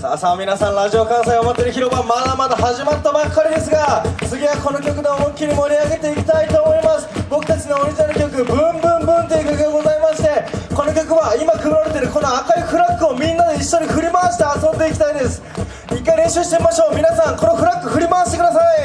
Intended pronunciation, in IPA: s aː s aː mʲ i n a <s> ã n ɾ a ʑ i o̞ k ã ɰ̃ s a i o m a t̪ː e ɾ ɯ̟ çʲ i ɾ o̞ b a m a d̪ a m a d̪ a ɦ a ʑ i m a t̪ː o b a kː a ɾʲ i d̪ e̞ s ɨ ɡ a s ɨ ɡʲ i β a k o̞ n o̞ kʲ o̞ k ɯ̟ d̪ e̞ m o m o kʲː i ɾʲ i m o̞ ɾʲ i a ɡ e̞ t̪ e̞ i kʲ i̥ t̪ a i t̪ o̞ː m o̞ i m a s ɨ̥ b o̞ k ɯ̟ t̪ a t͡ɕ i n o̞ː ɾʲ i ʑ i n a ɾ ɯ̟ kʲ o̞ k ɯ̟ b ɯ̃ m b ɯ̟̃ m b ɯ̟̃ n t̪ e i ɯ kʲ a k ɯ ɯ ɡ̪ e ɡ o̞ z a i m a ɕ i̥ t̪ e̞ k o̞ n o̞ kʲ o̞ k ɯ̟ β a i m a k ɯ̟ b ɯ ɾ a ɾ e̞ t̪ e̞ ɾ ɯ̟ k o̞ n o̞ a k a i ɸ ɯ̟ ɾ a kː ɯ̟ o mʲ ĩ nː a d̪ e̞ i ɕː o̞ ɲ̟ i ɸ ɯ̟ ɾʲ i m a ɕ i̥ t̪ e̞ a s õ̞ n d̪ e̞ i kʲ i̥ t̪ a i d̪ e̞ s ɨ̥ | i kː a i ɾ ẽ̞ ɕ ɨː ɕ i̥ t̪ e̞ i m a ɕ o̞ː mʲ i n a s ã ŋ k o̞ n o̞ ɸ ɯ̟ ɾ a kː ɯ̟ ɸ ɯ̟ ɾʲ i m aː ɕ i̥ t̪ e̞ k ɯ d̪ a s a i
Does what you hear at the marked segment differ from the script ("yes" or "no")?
no